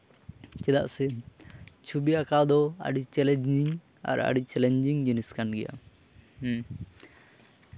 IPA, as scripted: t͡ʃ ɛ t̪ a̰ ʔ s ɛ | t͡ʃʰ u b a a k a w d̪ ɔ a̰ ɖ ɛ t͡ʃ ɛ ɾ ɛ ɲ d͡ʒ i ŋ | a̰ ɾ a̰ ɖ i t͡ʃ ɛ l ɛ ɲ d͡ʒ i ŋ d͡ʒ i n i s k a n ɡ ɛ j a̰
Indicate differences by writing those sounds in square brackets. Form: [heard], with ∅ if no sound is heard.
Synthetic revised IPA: t͡ʃ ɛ [d̪] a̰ ʔ s ɛ | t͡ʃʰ u b [i] a k a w d̪ ɔ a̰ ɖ [i] t͡ʃ ɛ [l] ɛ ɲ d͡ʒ i ŋ | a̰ ɾ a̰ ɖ i t͡ʃ ɛ l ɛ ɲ d͡ʒ i ŋ d͡ʒ i n i s k a n ɡ ɛ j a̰